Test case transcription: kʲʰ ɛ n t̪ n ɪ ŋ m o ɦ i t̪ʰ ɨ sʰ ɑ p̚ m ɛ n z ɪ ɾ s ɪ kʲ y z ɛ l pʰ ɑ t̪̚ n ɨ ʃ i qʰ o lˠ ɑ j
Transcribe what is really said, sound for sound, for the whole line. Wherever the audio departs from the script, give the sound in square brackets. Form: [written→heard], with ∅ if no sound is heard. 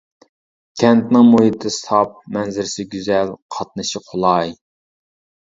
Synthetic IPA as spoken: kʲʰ ɛ n t̪ n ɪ ŋ m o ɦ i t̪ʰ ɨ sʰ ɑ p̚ m ɛ n z ɪ ɾ s ɪ [kʲ→ɡʲ] y z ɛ l [pʰ→qʰ] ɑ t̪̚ n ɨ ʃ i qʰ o lˠ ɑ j